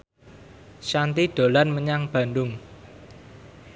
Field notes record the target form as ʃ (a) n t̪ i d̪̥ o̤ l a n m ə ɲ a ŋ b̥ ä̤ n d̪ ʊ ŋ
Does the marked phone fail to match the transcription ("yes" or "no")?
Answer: no